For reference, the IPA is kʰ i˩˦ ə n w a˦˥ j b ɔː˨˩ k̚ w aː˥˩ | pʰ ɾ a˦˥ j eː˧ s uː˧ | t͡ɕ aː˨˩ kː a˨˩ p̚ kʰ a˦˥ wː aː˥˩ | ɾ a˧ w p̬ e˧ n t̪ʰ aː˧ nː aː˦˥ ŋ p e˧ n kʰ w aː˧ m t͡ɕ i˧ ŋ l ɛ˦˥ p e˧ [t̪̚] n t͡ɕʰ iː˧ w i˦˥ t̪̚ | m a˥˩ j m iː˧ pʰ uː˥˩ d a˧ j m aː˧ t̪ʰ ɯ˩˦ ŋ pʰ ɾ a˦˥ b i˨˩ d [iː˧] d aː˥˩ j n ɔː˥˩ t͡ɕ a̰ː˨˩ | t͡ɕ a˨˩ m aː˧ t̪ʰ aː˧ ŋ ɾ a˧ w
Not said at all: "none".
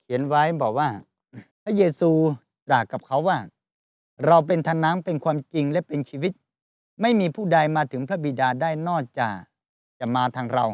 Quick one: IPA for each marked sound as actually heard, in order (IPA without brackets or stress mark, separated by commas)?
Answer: none, aː˧